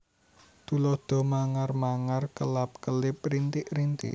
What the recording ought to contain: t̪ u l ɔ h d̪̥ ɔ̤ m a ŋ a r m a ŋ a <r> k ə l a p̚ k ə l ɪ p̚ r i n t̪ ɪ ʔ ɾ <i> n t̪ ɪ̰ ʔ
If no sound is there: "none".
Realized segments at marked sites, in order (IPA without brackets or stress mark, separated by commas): r, i